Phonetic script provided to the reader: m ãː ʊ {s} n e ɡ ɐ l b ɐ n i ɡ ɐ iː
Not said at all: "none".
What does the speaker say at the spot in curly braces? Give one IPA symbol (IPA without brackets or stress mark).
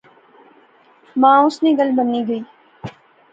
s